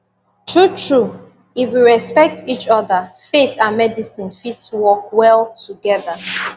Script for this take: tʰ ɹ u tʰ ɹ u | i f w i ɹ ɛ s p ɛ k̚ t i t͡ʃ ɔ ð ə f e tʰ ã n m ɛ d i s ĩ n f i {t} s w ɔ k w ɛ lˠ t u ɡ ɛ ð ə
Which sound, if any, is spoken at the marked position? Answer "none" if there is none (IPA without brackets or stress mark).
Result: t